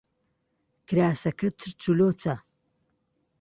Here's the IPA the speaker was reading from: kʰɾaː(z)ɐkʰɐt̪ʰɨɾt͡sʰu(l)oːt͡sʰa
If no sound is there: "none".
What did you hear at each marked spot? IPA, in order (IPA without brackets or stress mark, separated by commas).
s, l